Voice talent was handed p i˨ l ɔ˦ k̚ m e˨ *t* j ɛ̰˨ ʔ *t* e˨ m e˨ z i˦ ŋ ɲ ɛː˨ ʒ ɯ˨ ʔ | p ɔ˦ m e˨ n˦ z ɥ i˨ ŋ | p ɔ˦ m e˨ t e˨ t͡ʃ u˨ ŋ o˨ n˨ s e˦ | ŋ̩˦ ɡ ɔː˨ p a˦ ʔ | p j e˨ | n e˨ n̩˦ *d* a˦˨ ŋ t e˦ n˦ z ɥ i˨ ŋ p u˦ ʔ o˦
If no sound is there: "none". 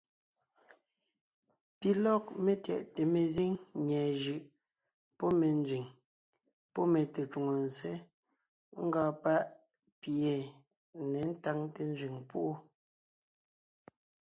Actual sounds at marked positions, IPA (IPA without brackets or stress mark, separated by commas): t, t, t